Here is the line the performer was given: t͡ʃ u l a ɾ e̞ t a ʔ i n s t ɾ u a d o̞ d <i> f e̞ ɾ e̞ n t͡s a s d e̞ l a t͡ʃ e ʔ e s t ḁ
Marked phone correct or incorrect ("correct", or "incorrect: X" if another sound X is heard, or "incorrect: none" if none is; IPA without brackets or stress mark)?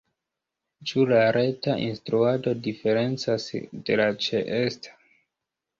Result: correct